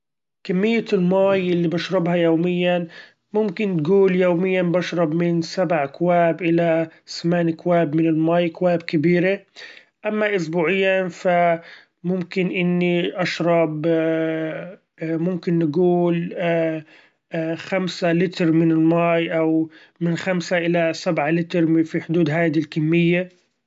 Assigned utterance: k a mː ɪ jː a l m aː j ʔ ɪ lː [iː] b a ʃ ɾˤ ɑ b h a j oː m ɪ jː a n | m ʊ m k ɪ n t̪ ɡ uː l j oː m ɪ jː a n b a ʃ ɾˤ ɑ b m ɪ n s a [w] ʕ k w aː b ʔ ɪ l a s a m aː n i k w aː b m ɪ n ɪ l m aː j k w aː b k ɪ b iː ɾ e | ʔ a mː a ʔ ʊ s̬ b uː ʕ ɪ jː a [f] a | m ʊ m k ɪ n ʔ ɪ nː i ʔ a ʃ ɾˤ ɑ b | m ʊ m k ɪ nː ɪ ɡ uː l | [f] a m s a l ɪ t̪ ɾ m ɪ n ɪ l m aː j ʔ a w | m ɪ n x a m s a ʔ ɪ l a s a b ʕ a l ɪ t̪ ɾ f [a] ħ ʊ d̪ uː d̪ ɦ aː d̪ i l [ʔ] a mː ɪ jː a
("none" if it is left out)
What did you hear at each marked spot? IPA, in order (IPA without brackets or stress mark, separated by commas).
i, b, f, x, i, k